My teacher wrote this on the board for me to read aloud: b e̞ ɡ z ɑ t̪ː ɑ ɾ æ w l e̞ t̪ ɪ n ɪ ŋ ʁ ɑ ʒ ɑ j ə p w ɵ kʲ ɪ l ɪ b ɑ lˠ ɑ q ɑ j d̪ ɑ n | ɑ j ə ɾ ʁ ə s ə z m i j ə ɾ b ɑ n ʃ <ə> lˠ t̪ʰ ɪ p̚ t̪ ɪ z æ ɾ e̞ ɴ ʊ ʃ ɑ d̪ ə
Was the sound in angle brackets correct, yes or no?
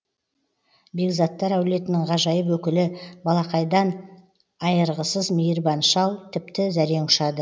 no